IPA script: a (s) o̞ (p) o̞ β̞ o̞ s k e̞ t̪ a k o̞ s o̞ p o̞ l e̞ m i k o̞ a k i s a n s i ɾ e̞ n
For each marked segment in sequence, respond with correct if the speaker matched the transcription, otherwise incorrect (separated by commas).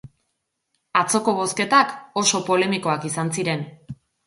incorrect, incorrect